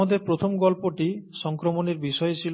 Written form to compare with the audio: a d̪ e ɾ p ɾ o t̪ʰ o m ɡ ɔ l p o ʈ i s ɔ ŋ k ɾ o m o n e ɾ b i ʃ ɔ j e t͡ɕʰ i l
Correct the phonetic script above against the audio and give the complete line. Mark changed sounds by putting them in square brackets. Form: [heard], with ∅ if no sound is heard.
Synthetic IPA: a d̪ e ɾ p ɾ o t̪ʰ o m ɡ ɔ l p o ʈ i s ɔ ŋ k ɾ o m o n e ɾ b i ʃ ɔ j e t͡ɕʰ i l